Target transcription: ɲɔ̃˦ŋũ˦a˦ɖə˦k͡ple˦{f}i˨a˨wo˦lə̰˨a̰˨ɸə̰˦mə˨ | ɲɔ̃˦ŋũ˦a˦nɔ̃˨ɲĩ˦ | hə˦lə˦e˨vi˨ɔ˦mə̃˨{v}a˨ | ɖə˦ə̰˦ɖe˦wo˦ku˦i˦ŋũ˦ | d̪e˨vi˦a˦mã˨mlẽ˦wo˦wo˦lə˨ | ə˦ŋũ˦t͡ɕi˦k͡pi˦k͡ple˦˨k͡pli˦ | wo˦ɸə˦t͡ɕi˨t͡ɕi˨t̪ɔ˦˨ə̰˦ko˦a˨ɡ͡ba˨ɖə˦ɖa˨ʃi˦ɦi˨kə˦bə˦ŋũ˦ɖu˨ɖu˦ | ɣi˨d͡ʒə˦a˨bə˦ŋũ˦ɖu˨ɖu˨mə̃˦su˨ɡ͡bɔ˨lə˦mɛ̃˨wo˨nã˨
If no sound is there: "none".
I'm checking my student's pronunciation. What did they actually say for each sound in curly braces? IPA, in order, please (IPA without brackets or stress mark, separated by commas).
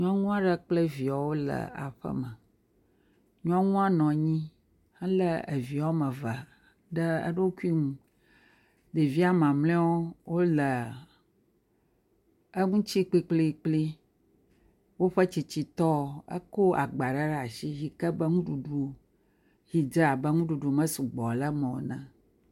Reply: v, v